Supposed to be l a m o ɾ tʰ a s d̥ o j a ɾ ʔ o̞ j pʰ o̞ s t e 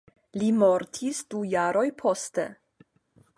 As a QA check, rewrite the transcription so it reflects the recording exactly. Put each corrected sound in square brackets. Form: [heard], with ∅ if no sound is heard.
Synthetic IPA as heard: l [i] m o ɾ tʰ [i] s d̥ [u] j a ɾ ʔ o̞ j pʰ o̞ s t e